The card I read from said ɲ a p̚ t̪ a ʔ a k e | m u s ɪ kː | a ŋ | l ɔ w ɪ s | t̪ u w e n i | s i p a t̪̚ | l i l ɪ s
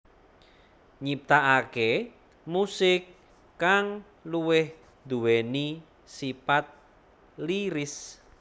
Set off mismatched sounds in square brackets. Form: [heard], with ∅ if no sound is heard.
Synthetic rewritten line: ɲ [i] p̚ t̪ a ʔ a k e | m u s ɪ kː | a ŋ | l [u] w ɪ [h] | [d̪] u w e n i | s i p a t̪̚ | l i [ɾ] ɪ s